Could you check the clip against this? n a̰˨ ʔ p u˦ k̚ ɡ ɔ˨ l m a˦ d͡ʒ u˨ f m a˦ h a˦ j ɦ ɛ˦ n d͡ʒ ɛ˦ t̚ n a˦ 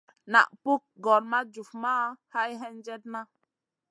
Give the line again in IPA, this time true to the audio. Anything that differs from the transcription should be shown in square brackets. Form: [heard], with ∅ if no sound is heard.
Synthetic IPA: n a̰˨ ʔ p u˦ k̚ ɡ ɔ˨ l m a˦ d͡ʒ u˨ f m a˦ h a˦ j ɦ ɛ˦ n d͡ʒ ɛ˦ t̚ n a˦